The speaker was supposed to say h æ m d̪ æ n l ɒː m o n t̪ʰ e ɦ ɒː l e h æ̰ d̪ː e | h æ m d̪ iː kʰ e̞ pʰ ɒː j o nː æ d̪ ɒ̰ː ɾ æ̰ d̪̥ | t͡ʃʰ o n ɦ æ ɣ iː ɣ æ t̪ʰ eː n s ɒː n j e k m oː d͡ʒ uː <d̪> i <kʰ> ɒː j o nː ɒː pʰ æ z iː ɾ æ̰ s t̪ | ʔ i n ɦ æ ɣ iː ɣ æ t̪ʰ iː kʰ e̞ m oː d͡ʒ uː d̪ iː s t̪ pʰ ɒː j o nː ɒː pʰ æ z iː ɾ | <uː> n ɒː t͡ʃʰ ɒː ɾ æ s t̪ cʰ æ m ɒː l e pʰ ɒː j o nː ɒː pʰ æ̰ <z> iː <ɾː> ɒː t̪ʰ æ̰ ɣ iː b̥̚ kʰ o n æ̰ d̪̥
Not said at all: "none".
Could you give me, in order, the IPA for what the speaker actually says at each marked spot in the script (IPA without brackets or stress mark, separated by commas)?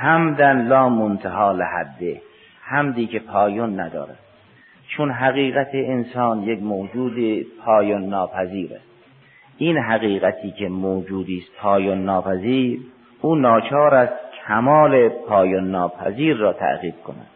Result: d̪, pʰ, uː, z, ɾː